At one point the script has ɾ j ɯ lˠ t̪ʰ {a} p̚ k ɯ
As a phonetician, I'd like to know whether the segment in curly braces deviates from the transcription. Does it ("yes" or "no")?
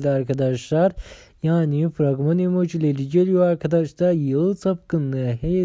no